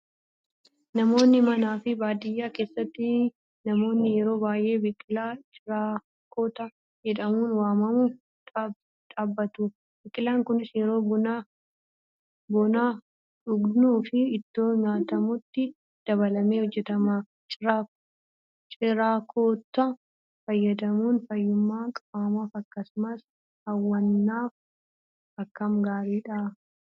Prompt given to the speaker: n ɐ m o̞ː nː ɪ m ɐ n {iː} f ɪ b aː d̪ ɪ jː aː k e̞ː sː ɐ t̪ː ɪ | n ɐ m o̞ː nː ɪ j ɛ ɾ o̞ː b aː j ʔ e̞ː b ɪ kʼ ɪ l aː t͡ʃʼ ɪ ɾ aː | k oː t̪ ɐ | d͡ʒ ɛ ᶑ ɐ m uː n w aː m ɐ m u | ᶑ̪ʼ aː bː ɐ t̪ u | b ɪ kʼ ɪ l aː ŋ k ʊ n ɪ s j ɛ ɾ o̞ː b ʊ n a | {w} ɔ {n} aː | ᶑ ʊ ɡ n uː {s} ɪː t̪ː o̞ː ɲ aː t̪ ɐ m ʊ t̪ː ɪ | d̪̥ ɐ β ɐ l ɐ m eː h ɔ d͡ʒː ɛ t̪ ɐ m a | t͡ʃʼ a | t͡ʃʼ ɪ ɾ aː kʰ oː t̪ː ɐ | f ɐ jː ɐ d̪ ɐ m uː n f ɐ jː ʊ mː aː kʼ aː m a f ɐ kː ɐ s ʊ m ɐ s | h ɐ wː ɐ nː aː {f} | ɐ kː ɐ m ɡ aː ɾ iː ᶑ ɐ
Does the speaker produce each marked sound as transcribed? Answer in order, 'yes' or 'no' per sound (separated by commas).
no, no, yes, no, yes